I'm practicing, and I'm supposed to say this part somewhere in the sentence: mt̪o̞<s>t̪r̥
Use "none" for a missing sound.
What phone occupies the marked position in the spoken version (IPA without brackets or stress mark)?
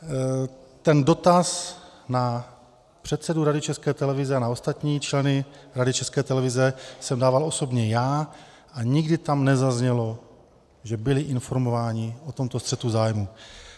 s